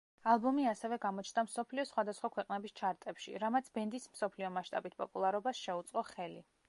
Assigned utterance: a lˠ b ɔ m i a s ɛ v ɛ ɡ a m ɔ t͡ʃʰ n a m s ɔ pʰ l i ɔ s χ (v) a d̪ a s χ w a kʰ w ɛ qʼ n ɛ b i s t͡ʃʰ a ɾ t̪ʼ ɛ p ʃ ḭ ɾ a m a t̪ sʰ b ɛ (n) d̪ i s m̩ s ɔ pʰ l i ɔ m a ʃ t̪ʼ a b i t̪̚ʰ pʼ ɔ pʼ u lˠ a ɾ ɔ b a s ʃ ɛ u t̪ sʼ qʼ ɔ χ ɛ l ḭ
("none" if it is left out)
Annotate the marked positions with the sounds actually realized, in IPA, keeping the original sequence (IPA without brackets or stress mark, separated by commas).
w, n